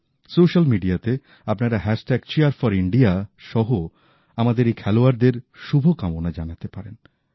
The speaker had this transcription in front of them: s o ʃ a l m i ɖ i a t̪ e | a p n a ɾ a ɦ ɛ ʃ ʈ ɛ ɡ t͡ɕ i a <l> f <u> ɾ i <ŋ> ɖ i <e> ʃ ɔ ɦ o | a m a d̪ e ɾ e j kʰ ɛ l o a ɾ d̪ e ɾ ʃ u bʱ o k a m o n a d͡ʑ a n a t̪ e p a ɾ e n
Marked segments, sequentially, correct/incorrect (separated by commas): incorrect, incorrect, incorrect, incorrect